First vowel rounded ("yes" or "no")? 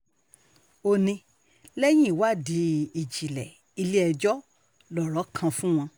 yes